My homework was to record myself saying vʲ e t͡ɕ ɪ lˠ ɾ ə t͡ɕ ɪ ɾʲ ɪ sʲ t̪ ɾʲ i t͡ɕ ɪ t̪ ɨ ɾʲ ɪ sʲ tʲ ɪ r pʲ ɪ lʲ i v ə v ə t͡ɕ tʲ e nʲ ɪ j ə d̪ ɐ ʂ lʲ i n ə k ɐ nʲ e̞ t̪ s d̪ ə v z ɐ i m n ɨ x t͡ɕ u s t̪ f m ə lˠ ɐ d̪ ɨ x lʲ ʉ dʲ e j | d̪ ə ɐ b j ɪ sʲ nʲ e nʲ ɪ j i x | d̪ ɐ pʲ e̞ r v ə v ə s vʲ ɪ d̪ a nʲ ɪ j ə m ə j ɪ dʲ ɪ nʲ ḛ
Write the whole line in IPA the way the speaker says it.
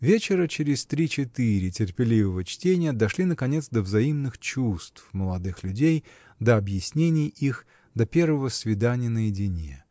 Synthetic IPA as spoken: vʲ e t͡ɕ ɪ ɾ ə t͡ɕ ɪ ɾʲ ɪ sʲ t̪ ɾʲ i t͡ɕ ɪ t̪ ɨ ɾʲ ɪ tʲ ɪ r pʲ ɪ lʲ i v ə v ə t͡ɕ tʲ e nʲ ɪ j ə d̪ ɐ ʂ lʲ i n ə k ɐ nʲ e̞ t̪ s d̪ ə v z ɐ i m n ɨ x t͡ɕ u s t̪ f m ə lˠ ɐ d̪ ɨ x lʲ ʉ dʲ e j | d̪ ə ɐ b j ɪ sʲ nʲ e nʲ ɪ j i x | d̪ ɐ pʲ e̞ r v ə v ə s vʲ ɪ d̪ a nʲ ɪ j ə n ə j ɪ dʲ ɪ nʲ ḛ